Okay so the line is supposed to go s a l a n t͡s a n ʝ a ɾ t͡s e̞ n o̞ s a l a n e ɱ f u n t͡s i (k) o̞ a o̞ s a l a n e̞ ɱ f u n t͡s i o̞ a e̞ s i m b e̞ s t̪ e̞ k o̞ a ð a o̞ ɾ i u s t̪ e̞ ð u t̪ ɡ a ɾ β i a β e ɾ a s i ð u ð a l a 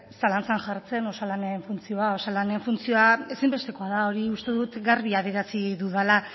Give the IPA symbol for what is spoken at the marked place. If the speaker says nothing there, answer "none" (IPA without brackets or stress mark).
none